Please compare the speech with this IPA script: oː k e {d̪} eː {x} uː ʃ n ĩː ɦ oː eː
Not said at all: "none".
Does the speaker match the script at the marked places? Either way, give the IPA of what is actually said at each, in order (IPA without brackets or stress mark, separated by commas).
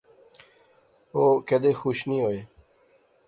d̪, x